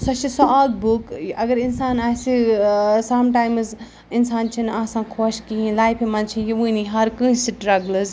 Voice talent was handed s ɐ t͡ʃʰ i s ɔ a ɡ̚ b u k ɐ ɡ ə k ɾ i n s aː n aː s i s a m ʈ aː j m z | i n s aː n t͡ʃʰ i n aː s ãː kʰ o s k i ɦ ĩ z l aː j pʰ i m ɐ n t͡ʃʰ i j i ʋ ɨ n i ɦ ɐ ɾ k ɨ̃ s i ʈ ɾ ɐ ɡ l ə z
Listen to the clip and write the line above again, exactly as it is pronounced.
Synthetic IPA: s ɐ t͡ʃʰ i s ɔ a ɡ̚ b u k ɐ ɡ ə ɾ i n s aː n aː s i s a m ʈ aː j m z | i n s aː n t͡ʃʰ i n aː s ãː kʰ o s k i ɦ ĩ l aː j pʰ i m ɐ n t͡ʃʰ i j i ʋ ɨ n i ɦ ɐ ɾ k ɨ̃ s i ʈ ɾ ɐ ɡ l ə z